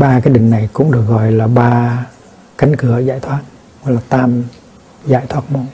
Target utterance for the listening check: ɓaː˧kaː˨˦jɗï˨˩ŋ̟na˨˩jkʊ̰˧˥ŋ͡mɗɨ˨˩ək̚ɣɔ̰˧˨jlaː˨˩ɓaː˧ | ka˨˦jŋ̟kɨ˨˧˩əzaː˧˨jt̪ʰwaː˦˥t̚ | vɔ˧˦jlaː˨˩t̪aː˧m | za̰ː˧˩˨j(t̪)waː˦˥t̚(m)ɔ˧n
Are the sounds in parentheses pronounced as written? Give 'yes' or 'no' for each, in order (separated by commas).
no, yes